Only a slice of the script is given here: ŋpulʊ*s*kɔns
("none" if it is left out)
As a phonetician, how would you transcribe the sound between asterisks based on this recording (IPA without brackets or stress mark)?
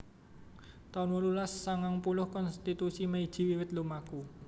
h